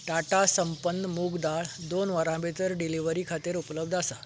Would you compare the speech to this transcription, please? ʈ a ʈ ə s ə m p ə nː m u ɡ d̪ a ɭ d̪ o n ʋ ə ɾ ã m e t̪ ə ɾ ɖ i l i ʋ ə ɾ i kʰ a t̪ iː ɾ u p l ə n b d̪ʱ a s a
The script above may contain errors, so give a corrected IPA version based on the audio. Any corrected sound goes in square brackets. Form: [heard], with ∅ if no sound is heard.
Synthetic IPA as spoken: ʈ a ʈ [a] s ə m p ə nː m u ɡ d̪ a ɭ d̪ o n ʋ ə ɾ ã [b] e t̪ ə ɾ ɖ i l i ʋ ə ɾ i kʰ a t̪ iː ɾ u p l ə [∅] b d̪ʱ a s a